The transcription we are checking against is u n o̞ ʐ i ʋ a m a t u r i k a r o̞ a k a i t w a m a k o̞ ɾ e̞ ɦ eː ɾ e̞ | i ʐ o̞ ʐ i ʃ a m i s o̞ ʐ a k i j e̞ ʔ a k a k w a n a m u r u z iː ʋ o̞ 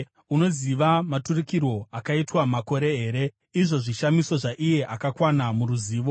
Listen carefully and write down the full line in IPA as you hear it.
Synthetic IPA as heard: u n o̞ z i ʋ a m a t u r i k i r o̞ a k a i t w a m a k o̞ ɾ e̞ ɦ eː ɾ e̞ | i ʐ o̞ ʐ i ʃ a m i s o̞ ʐ a ʔ i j e̞ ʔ a k a k w a n a m u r u z iː ʋ o̞